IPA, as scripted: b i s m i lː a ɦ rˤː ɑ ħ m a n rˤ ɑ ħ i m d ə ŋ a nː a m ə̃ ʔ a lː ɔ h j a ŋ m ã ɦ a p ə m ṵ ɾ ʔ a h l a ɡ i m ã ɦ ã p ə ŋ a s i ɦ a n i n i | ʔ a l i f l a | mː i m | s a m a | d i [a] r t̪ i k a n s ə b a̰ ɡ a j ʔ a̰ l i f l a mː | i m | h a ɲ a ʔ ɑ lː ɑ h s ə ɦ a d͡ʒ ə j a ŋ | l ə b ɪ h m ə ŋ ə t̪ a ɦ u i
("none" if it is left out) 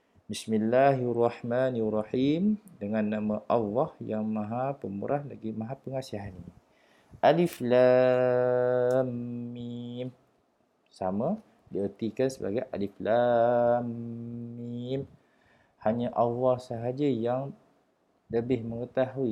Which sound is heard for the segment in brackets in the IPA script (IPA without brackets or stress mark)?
ə